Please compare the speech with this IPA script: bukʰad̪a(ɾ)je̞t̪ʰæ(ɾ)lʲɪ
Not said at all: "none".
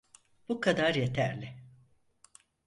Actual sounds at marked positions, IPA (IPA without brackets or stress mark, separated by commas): ɾ, ɾ